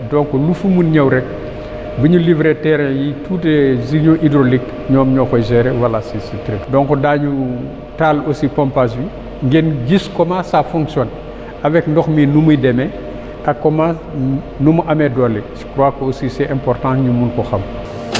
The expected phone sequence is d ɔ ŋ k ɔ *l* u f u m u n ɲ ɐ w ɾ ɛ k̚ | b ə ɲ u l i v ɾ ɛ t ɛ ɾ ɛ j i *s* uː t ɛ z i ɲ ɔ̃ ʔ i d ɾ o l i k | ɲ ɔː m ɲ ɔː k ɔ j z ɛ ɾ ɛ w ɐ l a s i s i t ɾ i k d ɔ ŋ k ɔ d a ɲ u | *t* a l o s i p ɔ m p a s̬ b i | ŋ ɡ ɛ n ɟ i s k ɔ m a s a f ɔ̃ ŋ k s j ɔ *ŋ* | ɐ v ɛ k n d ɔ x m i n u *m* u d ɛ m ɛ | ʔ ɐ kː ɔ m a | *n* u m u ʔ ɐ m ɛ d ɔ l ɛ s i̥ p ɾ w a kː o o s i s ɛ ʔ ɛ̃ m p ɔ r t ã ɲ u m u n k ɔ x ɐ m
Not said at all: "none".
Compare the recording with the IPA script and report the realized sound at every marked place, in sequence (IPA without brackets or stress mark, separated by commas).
l, t, t, n, m, n